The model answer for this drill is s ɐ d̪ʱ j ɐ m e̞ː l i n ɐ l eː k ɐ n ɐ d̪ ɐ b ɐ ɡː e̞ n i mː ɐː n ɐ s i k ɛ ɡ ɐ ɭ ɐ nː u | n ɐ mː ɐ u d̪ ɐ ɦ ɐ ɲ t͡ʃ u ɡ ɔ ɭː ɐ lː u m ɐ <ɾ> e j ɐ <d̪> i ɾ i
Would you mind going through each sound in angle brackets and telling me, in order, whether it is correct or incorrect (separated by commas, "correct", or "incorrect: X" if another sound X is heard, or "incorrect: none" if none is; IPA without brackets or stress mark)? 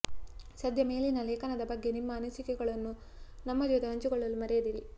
correct, correct